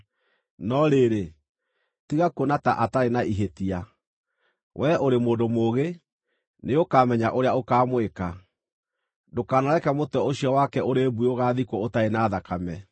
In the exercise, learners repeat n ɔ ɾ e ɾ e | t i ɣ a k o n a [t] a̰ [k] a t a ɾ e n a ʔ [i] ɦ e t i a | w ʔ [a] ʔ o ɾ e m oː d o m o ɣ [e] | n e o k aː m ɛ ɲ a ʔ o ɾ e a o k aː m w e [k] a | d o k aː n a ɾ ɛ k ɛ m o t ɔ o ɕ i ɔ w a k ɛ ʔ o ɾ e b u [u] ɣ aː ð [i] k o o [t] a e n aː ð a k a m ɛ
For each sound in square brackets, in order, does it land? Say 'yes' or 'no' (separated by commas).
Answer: yes, no, yes, no, yes, yes, no, yes, yes